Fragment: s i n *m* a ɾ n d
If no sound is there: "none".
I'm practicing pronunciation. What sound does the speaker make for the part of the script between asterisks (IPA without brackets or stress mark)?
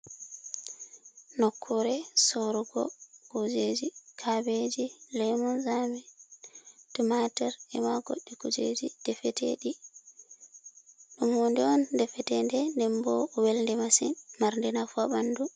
m